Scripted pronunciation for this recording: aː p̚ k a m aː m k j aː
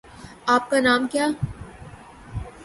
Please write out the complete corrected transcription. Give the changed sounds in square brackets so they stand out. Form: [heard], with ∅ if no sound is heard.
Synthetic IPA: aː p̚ k a [n] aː m k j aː